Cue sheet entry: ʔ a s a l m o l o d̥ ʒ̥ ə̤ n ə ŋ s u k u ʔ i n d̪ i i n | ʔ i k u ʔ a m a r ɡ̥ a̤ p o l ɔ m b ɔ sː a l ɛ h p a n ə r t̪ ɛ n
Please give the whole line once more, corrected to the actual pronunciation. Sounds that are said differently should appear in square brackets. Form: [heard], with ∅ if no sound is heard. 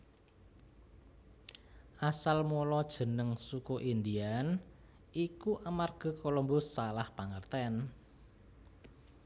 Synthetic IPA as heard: ʔ a s a l m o l [ɔ] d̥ ʒ̥ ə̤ n ə ŋ s u k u ʔ i n d̪ i [a] n | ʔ i k u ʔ a m a r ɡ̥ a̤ [k] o l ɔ m b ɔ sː a l [a] h p a [ŋ] ə r t̪ ɛ n